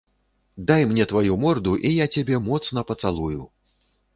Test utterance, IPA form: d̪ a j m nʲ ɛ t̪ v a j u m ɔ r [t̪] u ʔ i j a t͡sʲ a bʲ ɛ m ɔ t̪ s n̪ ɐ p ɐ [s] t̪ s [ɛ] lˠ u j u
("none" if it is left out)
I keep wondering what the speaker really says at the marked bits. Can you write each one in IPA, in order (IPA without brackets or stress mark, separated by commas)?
d̪, none, a